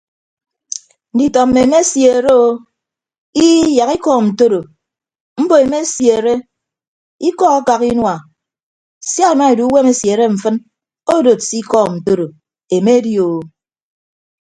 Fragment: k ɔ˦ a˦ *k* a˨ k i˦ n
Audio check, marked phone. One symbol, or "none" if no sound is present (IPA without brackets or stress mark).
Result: k